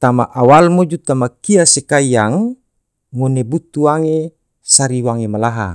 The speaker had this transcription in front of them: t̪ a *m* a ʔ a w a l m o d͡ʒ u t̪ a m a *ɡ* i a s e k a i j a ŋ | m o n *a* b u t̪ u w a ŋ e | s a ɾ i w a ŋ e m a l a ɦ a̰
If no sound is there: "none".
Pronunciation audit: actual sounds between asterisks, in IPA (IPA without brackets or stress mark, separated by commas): m, k, e